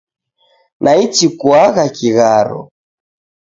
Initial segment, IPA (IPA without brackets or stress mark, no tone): n